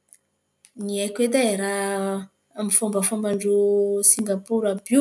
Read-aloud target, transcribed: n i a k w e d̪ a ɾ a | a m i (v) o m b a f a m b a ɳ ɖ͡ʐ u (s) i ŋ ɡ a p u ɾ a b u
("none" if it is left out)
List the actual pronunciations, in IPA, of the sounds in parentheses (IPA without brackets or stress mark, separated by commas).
f, s